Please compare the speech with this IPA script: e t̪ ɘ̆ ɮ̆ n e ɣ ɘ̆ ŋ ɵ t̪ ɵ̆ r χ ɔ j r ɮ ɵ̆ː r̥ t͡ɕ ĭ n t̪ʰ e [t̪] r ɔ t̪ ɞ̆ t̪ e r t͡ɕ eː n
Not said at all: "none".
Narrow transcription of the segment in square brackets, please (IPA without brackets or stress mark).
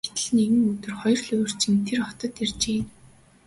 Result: none